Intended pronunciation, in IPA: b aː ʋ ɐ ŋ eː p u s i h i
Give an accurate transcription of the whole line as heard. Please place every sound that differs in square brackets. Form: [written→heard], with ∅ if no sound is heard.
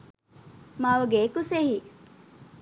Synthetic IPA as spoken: [b→m] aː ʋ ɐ [ŋ→ɡ] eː [p→k] u s [i→e] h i